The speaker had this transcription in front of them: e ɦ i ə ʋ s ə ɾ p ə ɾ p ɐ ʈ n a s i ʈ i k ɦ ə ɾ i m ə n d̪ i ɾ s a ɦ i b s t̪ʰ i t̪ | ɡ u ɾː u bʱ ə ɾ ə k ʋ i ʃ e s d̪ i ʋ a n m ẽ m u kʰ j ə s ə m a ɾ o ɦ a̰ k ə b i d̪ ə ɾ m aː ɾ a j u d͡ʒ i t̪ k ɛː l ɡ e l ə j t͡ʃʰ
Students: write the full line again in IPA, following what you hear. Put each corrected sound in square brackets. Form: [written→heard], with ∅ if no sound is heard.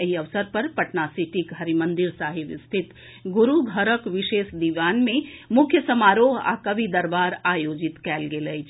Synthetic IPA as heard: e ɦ i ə ʋ s ə ɾ p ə ɾ p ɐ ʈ n a s i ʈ i k ɦ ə ɾ i m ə n d̪ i ɾ s a ɦ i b s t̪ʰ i t̪ | ɡ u [ɾː→ɾ] u [bʱ→ɡʱ] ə ɾ ə k ʋ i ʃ e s d̪ i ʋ a n m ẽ m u kʰ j ə s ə m a ɾ o ɦ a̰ k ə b i d̪ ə ɾ [m→b] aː ɾ a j [u→o] d͡ʒ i t̪ k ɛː l ɡ e l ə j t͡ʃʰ